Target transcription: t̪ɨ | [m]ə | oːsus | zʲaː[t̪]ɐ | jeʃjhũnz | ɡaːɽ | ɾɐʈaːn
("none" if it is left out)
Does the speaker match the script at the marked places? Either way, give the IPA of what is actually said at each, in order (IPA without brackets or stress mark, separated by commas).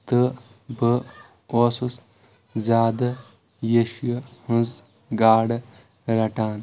b, d̪